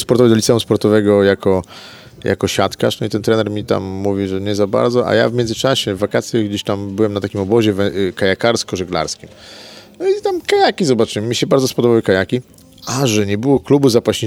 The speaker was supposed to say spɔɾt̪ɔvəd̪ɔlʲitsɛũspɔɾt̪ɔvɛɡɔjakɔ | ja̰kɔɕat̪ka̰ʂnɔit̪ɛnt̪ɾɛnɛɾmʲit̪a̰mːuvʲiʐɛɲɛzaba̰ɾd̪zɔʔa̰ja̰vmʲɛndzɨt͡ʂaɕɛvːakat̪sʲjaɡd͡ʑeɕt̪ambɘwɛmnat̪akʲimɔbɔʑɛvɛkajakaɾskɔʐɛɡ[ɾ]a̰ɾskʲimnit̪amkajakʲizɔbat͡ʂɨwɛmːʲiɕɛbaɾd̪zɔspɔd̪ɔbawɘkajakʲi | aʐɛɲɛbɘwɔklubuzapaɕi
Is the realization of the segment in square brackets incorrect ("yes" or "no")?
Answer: yes